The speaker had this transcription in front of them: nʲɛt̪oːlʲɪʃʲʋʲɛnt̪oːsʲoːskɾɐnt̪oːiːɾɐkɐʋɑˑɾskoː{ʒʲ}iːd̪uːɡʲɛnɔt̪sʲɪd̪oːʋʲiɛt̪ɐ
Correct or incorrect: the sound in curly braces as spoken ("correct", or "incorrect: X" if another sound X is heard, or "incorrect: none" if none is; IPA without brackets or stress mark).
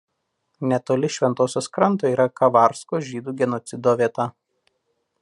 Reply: correct